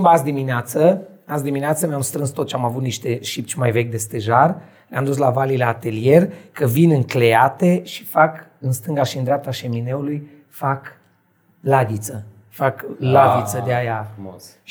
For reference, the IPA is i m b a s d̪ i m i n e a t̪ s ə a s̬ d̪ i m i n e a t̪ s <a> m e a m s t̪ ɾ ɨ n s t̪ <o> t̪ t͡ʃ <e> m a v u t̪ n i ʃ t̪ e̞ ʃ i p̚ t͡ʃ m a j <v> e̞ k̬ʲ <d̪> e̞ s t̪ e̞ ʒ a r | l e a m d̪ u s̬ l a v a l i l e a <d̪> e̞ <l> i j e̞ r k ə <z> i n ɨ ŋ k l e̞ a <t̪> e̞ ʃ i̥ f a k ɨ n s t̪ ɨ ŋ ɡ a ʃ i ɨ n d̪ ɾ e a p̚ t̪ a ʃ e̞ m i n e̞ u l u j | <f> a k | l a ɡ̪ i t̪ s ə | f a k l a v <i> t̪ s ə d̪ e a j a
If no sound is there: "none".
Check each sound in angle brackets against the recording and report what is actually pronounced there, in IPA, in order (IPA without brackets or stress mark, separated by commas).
ə, o, a, v, d̪, t̪, l, v, t̪, f, i